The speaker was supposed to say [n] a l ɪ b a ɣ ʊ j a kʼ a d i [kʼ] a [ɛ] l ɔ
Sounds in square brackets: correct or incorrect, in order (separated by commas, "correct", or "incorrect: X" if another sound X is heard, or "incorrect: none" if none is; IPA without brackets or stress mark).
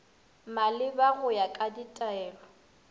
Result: incorrect: m, incorrect: tʼ, incorrect: ɛː